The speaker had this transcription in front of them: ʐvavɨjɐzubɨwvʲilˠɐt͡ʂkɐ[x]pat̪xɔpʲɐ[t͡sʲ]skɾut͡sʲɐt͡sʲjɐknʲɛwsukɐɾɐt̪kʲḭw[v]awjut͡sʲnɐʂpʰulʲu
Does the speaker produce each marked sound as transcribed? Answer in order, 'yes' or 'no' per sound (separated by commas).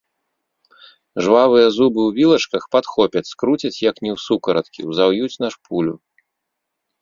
yes, yes, no